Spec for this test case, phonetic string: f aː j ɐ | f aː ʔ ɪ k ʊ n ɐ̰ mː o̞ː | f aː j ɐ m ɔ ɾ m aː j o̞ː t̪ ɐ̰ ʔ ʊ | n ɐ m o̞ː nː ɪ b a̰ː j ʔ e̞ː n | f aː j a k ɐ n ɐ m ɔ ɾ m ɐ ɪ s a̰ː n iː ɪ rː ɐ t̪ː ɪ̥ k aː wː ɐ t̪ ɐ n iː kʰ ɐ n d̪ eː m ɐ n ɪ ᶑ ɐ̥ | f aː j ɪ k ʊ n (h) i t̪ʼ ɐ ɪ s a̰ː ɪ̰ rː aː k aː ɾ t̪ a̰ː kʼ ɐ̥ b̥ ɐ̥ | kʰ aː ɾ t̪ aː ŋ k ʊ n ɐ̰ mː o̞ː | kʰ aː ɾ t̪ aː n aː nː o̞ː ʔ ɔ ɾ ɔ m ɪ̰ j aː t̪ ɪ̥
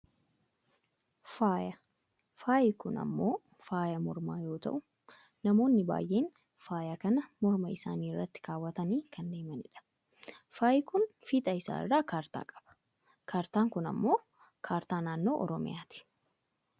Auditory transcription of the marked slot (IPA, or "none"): f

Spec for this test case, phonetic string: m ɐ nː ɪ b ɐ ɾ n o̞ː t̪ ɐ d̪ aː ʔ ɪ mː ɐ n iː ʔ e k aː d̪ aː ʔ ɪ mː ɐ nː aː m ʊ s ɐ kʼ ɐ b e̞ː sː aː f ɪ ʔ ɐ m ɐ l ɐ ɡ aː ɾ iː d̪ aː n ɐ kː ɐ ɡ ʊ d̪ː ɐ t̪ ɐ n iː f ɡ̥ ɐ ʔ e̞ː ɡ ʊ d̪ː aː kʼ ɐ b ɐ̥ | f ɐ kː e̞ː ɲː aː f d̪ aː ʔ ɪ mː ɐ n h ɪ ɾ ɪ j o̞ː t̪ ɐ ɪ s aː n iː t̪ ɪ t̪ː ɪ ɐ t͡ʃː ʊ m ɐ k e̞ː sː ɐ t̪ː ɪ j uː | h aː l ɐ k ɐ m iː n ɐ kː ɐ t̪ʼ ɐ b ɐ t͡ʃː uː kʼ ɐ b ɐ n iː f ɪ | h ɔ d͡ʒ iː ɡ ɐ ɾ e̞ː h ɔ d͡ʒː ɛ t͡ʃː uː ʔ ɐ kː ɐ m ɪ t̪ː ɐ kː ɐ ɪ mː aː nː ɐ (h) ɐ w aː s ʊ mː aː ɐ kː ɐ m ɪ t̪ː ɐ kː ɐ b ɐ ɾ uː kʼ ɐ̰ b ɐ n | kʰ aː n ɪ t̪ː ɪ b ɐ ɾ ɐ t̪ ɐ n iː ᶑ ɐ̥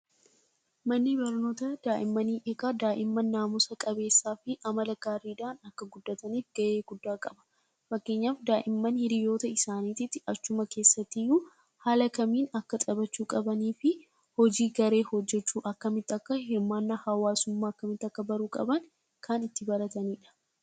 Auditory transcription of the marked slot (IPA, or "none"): h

